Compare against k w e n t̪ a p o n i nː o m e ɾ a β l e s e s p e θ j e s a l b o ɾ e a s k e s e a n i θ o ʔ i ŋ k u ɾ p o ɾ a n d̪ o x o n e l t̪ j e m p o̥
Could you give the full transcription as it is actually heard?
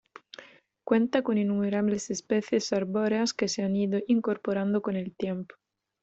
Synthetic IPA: k w e n t̪ a k o n i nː u m e ɾ a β l e s e s p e θ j e s a ɾ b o ɾ e a s k e s e a n i ð o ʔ i ŋ k o ɾ p o ɾ a n d̪ o k o n e l t̪ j e m p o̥